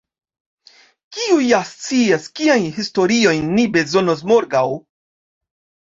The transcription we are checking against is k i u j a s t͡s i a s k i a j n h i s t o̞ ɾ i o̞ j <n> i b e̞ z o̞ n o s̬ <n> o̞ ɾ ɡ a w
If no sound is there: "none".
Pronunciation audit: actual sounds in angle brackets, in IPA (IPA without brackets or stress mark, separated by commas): nː, m